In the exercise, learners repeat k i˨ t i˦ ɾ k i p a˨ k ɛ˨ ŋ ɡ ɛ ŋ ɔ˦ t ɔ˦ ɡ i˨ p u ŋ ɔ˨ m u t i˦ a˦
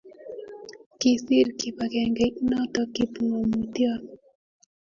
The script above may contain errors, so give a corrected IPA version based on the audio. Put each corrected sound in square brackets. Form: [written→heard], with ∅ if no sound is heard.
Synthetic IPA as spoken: k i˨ [t→s] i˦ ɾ k i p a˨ k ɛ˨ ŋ ɡ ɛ [ŋ→n] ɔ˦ t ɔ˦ [ɡ→k] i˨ p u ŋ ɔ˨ m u t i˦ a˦